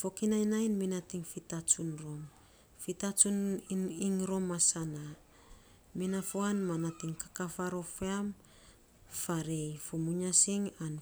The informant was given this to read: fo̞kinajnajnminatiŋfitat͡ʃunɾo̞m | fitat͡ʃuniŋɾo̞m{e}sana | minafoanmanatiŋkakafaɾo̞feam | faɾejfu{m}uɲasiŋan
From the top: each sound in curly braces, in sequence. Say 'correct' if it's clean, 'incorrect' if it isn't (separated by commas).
incorrect, correct